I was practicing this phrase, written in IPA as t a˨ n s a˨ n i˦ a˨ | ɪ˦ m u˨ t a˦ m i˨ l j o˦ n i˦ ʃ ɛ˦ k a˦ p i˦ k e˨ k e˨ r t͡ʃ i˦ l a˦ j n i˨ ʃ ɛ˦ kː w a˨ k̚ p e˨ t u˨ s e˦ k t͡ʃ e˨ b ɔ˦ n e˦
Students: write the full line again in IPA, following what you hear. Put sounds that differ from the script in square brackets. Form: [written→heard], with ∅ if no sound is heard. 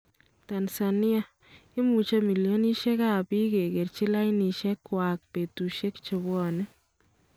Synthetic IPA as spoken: t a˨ n s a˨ n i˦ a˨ | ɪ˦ m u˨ [t→t͡ʃ] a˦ m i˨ l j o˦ n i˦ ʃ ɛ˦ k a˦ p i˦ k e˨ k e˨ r t͡ʃ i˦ l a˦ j n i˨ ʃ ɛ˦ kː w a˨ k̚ p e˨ t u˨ [s→ʃ] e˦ k t͡ʃ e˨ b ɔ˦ n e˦